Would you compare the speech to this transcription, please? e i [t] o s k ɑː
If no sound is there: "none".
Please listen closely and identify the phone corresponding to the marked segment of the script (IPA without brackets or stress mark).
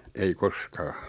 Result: k